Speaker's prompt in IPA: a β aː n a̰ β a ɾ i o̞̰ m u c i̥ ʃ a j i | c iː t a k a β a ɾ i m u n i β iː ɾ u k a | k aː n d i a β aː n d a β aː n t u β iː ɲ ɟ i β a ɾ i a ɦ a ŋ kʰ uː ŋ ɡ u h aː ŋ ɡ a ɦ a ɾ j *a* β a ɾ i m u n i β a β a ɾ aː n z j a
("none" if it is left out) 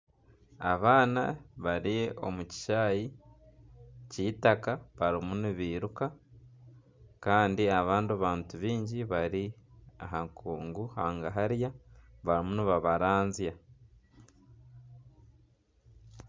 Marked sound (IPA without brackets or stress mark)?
a